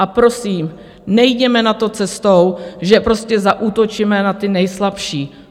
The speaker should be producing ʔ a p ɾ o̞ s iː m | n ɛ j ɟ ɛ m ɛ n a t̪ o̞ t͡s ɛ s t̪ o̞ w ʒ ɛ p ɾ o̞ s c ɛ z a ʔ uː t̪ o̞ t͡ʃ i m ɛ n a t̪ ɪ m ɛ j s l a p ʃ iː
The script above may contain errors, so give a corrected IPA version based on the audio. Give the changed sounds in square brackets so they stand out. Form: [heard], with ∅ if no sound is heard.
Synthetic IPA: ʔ a p ɾ o̞ s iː m | n ɛ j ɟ ɛ m ɛ n a t̪ o̞ t͡s ɛ s t̪ o̞ w ʒ ɛ p ɾ o̞ s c ɛ z a ʔ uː t̪ o̞ t͡ʃ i m ɛ n a t̪ ɪ [n] ɛ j s l a p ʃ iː